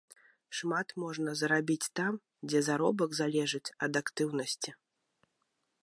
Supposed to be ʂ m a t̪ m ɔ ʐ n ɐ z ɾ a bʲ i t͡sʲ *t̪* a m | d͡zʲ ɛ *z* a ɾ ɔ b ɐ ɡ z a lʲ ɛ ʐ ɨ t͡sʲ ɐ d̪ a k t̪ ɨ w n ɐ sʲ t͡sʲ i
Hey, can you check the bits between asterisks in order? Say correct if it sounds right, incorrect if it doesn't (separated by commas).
correct, correct